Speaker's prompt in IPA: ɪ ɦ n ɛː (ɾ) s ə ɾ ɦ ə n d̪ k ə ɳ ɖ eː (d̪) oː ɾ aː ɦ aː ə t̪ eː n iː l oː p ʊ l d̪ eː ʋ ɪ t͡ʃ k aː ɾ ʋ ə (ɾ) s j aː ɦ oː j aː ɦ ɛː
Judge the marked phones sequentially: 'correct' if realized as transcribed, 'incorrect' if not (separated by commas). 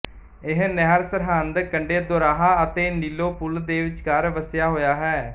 correct, correct, incorrect